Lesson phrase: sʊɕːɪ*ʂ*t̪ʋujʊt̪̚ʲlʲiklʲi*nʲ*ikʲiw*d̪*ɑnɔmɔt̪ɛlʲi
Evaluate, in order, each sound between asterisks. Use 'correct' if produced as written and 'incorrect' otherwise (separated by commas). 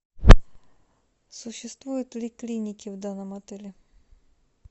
incorrect, correct, correct